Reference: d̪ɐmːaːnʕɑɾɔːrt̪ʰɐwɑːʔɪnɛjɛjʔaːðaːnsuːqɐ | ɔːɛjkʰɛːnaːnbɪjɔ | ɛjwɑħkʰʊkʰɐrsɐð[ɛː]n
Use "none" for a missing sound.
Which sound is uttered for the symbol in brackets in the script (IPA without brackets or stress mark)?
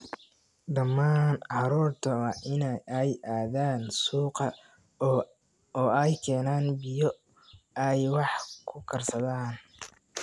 aː